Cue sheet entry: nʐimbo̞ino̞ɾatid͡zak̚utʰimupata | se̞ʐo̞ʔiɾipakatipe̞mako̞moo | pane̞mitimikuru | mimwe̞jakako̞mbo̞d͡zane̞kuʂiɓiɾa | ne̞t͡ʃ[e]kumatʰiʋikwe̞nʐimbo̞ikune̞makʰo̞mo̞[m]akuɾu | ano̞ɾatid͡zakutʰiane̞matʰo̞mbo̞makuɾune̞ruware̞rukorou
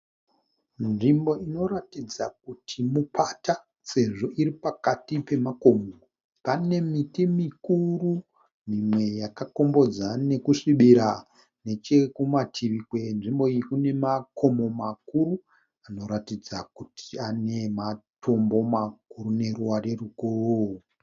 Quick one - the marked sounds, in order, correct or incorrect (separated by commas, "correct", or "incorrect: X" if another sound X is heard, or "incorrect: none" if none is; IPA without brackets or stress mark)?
correct, correct